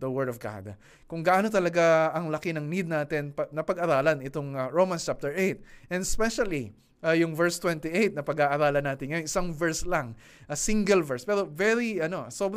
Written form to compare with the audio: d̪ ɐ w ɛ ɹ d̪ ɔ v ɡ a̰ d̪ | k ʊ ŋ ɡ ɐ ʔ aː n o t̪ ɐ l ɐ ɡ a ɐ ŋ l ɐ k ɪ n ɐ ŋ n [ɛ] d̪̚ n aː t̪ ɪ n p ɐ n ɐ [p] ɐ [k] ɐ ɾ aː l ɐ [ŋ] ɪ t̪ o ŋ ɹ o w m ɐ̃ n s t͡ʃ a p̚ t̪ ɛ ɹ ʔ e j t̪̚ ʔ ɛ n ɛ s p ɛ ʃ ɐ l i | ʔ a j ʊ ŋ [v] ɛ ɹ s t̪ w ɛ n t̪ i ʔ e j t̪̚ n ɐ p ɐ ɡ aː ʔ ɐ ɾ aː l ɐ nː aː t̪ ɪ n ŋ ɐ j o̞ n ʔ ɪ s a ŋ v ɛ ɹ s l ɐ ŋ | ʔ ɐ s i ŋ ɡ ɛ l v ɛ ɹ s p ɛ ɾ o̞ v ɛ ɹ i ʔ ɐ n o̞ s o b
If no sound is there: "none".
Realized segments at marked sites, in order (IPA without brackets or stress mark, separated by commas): i, p, ɡ, n, v